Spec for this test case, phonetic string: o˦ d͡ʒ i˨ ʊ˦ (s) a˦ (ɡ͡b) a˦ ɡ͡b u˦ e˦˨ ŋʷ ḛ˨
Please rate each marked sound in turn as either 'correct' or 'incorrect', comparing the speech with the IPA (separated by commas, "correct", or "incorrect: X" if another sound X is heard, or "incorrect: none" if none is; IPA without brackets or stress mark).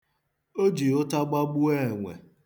incorrect: t, correct